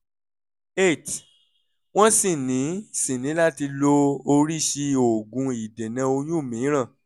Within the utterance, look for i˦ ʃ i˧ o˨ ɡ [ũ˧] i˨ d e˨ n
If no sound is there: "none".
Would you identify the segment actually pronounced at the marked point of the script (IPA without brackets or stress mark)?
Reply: ũ˧